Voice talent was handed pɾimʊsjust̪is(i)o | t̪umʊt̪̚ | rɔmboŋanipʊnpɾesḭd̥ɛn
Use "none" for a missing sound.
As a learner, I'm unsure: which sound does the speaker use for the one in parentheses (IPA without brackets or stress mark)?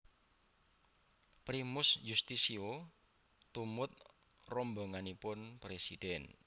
i